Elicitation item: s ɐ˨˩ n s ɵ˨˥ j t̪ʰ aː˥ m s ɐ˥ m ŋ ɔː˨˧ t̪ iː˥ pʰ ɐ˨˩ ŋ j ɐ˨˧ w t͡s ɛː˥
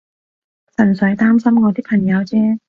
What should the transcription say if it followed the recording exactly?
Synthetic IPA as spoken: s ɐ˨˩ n s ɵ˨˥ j t̪ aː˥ m s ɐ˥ m ŋ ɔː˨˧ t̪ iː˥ pʰ ɐ˨˩ ŋ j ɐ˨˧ w t͡s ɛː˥